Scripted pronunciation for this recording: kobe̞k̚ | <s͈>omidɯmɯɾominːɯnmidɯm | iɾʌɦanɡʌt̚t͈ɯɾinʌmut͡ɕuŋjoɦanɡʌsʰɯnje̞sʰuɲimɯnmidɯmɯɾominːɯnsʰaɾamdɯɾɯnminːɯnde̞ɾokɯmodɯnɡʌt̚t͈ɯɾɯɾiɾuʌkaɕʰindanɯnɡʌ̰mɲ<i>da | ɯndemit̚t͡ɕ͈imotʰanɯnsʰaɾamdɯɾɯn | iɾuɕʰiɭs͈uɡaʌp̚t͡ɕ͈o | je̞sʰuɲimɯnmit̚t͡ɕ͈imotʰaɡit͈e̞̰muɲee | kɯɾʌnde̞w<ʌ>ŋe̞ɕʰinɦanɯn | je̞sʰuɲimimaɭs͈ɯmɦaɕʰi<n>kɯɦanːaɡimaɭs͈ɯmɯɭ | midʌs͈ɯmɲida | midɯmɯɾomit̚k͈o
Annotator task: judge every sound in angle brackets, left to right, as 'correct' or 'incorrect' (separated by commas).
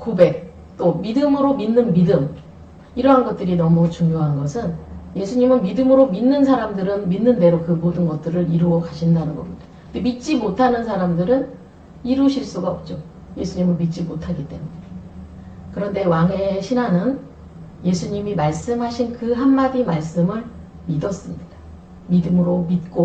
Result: incorrect, correct, incorrect, correct